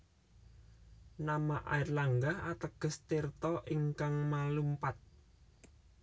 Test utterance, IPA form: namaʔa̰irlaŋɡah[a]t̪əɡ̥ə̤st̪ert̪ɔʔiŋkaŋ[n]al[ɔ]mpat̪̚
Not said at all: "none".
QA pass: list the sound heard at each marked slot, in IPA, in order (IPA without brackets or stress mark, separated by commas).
a, m, u